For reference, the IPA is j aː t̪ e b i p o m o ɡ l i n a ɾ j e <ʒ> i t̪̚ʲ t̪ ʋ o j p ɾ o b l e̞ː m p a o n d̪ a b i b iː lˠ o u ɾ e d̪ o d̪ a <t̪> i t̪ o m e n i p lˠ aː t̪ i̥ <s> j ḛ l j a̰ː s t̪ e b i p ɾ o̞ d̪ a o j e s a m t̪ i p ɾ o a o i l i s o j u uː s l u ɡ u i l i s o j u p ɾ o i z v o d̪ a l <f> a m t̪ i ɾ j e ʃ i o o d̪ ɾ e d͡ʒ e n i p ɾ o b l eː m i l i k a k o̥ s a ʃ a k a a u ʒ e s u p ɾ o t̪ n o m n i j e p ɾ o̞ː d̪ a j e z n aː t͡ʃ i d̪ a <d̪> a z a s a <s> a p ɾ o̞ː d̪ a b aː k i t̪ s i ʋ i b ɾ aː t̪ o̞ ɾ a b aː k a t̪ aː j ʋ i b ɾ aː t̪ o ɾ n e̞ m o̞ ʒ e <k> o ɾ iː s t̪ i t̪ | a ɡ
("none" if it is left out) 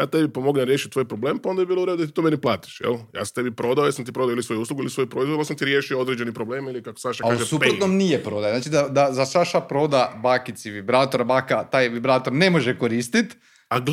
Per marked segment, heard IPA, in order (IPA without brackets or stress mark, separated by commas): ʃ, t̪, ʃ, s, d̪, ʃ, k